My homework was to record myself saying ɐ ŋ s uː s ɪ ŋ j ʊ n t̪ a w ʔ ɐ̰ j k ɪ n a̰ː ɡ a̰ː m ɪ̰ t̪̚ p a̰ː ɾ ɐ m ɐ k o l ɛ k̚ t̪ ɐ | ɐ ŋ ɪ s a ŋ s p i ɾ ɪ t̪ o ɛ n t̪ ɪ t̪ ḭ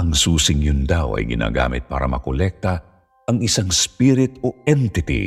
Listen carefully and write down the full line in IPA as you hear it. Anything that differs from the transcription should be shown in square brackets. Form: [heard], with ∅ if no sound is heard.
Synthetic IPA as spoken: ɐ ŋ s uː s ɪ ŋ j ʊ n [d̪] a w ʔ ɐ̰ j [ɡ] ɪ n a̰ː ɡ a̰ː m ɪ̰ t̪̚ p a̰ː ɾ ɐ m ɐ k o l ɛ k̚ t̪ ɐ | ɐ ŋ ɪ s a ŋ s p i ɾ ɪ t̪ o ɛ n t̪ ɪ t̪ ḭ